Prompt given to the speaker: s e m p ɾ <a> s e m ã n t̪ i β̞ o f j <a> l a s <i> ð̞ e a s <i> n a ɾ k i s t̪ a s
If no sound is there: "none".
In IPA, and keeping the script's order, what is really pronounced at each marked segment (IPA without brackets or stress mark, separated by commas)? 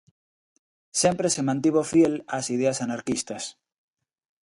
e, e, i, a